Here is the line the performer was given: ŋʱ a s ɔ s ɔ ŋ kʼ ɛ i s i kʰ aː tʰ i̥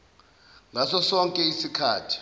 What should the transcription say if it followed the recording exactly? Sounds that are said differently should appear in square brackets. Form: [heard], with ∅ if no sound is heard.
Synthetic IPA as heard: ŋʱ a s ɔ s ɔ ŋ kʼ ɛ i s i kʰ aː tʰ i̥